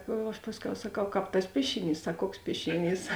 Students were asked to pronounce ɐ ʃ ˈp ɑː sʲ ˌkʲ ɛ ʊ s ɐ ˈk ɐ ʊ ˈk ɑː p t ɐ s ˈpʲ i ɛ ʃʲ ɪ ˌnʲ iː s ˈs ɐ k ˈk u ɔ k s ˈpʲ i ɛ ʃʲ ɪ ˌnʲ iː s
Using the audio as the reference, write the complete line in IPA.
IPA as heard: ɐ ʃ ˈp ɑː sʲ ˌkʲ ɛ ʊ s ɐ ˈk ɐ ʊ ˈk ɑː p t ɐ s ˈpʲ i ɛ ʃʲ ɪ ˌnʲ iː s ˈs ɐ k ˈk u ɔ k s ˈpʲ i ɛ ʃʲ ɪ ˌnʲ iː s